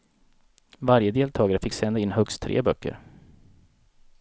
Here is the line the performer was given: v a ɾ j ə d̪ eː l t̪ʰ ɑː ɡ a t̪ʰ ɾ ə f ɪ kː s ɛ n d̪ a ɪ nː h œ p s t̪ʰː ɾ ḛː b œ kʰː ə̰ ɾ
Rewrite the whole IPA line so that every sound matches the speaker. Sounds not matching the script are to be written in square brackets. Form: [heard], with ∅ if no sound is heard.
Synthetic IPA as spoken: v a ɾ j ə d̪ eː l t̪ʰ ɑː ɡ a [∅] ɾ ə f ɪ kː s ɛ n d̪ a ɪ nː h œ [k] s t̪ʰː ɾ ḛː b œ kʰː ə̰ ɾ